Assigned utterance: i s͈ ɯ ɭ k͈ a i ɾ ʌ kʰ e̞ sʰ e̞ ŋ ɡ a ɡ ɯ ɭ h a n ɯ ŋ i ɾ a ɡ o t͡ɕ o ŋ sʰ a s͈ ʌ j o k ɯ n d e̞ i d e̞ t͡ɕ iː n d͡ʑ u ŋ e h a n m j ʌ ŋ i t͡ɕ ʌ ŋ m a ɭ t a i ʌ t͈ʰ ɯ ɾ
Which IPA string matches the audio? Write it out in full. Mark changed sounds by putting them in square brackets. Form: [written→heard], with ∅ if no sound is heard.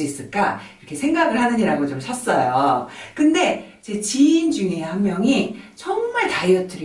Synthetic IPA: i s͈ ɯ ɭ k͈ a i ɾ ʌ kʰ e̞ sʰ e̞ ŋ ɡ a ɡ ɯ ɭ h a n ɯ [ŋ→ɲ] i ɾ a ɡ o t͡ɕ o [ŋ→m] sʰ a s͈ ʌ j o k ɯ n d e̞ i [d→d͡ʑ] e̞ t͡ɕ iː n d͡ʑ u ŋ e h a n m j ʌ ŋ i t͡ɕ ʌ ŋ m a ɭ t a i ʌ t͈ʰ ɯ ɾ